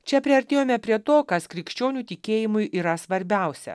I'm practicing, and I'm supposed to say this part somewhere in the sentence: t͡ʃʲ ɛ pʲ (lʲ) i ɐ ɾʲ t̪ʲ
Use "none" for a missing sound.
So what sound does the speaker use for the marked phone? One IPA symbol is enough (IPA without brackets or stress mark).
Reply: ɾʲ